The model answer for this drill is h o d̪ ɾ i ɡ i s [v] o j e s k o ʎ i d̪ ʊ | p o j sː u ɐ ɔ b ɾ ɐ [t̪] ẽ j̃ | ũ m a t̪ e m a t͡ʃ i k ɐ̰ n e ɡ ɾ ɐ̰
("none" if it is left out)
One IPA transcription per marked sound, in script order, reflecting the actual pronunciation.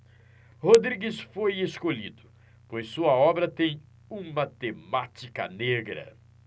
f, t̪

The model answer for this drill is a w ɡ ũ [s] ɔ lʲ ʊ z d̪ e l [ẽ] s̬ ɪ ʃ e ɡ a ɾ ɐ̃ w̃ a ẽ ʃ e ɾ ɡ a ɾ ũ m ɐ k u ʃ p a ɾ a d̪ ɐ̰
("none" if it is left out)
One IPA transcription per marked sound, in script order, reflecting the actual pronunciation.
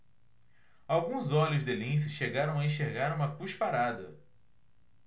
z, ĩ

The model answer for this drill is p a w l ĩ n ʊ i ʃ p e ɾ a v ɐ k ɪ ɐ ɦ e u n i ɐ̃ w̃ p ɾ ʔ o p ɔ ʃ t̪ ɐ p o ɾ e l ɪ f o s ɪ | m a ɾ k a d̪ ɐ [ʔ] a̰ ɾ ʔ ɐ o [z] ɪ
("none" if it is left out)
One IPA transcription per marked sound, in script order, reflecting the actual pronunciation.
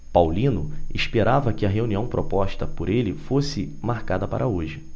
p, ʒ

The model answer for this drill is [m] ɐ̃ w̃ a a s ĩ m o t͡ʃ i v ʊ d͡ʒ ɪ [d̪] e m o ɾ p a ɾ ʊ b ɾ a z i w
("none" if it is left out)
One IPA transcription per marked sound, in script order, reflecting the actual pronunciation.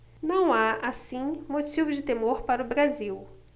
n, t̪

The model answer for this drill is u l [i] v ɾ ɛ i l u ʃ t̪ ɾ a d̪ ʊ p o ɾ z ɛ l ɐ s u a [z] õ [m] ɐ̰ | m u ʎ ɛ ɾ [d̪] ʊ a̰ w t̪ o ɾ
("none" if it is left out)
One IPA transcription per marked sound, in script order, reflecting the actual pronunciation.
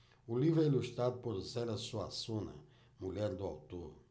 i, s, n, d̪

